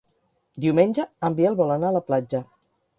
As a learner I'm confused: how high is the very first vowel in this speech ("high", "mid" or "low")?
high